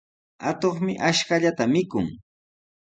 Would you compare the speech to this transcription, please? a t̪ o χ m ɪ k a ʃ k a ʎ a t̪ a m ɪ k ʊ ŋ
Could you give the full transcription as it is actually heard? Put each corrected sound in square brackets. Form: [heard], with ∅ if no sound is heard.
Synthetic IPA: a t̪ o χ m ɪ [ʔ] a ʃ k a ʎ a t̪ a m ɪ k ʊ ŋ